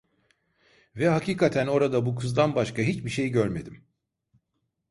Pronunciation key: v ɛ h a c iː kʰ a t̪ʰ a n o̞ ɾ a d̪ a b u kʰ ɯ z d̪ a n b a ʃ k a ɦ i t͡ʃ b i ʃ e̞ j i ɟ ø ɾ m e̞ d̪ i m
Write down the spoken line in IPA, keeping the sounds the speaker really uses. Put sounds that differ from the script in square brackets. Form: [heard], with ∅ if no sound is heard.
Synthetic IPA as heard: v ɛ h a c iː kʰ a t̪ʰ [æ] n o̞ ɾ a d̪ a b u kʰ ɯ z d̪ a n b a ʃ k a ɦ i t͡ʃ b i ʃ e̞ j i ɟ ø ɾ m e̞ d̪ i m